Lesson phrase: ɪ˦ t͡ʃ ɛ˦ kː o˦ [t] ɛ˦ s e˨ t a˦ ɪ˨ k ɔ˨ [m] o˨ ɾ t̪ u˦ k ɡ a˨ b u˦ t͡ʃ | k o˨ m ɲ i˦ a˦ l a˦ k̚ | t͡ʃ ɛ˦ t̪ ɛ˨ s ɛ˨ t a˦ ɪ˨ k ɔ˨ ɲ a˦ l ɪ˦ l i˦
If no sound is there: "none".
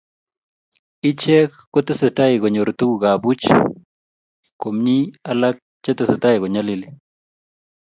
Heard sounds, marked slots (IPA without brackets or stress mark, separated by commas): t, ɲ